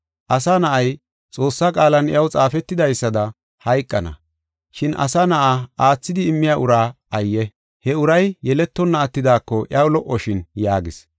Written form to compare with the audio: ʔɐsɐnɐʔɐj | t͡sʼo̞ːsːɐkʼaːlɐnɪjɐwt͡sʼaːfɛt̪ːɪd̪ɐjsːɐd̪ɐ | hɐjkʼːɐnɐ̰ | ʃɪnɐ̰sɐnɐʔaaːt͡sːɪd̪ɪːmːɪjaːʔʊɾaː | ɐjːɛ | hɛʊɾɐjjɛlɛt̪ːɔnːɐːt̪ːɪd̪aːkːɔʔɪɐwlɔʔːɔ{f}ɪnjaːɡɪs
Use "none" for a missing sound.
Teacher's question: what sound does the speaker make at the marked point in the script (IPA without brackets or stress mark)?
ʃ